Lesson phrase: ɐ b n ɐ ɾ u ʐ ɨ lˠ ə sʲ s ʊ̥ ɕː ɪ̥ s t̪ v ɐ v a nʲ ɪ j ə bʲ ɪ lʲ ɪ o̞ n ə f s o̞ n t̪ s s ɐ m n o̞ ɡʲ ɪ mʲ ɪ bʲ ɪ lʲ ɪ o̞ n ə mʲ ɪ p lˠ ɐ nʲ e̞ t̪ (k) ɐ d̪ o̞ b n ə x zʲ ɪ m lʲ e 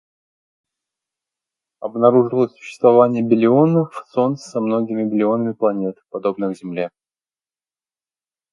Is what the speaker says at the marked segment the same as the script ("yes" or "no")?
no